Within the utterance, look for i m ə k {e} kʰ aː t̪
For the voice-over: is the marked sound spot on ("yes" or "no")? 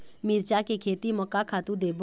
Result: no